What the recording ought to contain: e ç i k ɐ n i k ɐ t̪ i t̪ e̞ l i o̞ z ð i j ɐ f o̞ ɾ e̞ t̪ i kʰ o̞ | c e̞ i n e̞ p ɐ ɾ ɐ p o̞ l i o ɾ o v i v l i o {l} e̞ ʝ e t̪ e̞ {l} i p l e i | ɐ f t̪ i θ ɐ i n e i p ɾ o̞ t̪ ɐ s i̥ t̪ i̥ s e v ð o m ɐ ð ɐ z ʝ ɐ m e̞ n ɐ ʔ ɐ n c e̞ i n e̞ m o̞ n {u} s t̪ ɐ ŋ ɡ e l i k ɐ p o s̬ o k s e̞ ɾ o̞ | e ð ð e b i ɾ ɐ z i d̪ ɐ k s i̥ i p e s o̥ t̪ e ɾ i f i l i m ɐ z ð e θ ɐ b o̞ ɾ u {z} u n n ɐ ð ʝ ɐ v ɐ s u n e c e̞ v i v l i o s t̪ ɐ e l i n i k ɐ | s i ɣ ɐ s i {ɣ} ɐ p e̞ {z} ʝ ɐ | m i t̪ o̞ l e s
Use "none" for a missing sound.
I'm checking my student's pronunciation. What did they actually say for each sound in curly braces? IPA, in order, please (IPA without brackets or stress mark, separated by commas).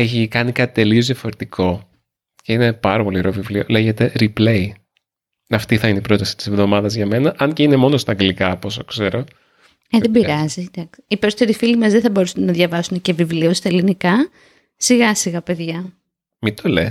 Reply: l, ɾ, o, s, ɣ, ð